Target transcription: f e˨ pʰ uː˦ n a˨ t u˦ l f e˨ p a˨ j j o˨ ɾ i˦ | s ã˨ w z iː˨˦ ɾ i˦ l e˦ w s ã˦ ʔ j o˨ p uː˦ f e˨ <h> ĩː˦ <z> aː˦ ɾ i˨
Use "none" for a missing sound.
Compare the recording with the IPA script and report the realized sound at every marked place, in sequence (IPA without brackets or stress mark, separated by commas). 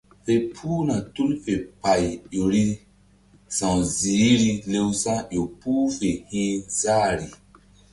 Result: h, z